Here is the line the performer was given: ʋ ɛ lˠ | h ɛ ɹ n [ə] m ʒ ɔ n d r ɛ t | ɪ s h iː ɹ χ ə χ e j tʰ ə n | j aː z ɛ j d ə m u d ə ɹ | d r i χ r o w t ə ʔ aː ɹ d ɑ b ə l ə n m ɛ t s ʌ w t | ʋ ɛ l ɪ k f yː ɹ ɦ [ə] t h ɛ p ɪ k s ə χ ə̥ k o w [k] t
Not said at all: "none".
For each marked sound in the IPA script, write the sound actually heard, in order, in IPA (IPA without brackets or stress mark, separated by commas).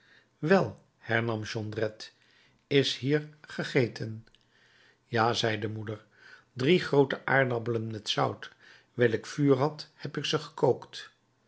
ɑ, ɑ, k